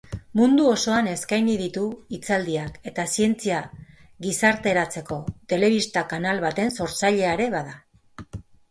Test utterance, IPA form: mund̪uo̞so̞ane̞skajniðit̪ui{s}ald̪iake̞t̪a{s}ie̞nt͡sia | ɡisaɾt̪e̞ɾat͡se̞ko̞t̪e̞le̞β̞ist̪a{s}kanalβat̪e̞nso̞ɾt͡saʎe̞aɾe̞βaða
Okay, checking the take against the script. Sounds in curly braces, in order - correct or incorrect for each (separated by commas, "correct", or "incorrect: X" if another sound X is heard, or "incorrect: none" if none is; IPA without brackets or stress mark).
incorrect: t͡s, correct, incorrect: none